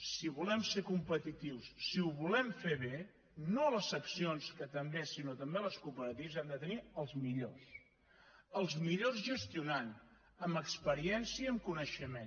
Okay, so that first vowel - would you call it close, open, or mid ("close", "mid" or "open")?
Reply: close